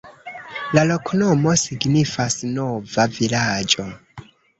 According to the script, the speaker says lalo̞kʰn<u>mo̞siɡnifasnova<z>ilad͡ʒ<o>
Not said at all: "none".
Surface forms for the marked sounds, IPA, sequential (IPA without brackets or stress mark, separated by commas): o, v, o